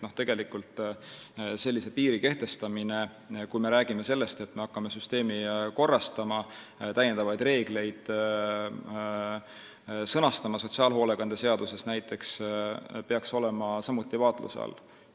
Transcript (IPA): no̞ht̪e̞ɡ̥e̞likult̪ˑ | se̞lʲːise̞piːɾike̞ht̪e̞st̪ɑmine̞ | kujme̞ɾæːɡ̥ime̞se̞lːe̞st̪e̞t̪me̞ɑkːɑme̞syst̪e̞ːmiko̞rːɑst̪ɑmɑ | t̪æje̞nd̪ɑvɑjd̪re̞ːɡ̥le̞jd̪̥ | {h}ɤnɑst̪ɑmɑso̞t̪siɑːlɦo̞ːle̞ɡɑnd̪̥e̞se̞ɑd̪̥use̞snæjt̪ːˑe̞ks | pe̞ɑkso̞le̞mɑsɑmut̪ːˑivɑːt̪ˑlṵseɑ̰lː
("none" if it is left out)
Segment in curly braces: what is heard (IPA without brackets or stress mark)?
s